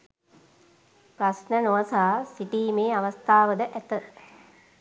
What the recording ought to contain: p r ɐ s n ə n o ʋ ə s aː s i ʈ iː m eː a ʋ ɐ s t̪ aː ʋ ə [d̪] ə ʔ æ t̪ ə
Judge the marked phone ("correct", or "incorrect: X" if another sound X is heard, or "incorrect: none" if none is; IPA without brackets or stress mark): correct